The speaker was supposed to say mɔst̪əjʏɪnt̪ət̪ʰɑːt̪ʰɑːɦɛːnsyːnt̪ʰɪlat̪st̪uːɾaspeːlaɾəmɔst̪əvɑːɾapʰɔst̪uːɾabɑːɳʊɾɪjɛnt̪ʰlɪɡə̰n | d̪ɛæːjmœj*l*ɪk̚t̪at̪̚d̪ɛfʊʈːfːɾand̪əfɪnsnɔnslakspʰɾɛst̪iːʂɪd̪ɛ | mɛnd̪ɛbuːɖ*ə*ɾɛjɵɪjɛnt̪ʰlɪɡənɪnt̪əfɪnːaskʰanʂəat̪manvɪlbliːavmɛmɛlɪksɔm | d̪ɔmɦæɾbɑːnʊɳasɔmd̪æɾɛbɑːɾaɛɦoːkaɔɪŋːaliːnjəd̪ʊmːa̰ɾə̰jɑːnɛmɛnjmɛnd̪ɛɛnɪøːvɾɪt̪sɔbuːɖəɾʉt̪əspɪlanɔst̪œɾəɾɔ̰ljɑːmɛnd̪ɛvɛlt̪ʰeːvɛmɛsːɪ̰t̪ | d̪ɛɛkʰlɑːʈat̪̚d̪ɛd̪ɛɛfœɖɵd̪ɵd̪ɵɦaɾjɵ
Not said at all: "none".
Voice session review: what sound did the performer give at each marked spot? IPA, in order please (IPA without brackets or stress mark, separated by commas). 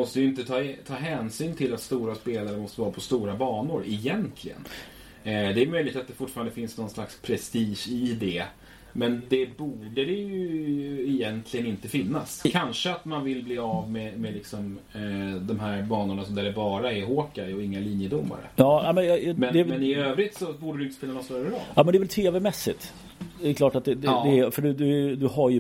l, ə